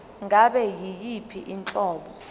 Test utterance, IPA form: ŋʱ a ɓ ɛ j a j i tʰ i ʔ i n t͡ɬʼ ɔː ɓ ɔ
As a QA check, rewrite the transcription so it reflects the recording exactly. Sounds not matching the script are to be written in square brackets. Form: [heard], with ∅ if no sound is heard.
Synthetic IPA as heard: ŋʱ a ɓ ɛ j [i] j i [pʰ] i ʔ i n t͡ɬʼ ɔː ɓ ɔ